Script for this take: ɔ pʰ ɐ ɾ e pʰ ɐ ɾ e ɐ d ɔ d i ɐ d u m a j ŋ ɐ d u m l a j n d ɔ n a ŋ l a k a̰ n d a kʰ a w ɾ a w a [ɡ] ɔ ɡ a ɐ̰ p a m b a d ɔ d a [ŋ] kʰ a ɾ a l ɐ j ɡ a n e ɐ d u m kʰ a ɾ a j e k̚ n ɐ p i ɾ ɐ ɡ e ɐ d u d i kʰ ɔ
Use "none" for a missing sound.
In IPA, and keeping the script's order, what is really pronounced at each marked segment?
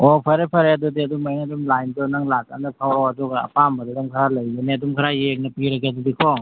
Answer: d, ŋ

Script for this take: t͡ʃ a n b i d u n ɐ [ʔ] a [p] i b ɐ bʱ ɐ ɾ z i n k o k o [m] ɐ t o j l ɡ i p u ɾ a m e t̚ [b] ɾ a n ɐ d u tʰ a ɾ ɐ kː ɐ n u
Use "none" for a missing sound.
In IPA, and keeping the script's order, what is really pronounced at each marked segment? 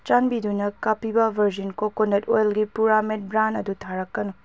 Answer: k, p, n, b

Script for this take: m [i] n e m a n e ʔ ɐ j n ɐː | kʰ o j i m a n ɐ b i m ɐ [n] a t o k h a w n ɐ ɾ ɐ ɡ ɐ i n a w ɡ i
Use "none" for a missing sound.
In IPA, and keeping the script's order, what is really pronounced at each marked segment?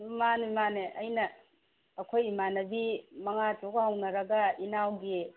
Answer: a, ŋ

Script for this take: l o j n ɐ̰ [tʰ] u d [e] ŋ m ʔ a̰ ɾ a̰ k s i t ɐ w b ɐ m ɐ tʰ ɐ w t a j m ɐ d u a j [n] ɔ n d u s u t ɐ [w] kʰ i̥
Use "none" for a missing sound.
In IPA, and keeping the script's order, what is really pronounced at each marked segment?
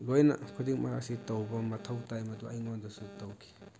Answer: kʰ, i, ŋ, w

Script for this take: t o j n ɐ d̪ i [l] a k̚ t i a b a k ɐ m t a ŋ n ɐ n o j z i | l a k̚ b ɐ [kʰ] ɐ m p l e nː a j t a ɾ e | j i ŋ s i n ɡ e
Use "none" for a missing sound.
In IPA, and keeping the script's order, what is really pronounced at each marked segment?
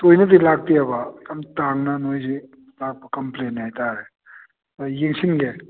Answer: l, k

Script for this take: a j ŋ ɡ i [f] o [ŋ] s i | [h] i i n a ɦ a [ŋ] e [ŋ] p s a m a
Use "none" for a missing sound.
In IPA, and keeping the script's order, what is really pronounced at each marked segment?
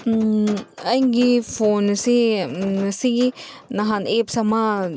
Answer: f, n, s, n, none

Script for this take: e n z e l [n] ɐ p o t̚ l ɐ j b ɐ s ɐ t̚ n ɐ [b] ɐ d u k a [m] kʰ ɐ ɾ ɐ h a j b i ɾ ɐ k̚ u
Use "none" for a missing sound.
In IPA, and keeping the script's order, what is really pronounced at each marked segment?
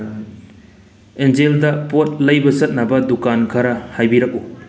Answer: d, b, n

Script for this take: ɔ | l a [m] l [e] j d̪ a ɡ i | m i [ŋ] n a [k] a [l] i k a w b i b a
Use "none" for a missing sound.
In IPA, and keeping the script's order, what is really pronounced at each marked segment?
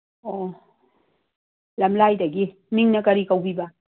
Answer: m, a, ŋ, k, ɾ

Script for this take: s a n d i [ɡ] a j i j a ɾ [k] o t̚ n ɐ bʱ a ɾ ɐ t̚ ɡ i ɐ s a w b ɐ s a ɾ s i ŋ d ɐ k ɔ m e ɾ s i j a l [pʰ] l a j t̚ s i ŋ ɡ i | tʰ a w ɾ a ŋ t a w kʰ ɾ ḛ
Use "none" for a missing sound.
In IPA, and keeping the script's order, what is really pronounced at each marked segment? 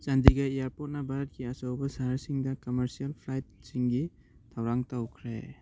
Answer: ɡ, p, pʰ

